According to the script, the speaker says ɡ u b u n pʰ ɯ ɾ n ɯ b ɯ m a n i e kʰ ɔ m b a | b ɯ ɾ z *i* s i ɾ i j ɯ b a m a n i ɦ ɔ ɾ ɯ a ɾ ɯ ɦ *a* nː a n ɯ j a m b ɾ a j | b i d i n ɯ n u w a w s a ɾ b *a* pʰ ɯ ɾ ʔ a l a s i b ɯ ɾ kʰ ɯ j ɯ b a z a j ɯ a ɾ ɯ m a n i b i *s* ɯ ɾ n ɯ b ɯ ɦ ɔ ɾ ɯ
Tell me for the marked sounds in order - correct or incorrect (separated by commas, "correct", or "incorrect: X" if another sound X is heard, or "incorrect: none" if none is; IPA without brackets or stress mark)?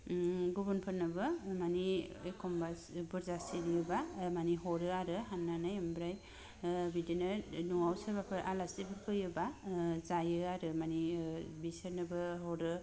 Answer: incorrect: a, correct, correct, correct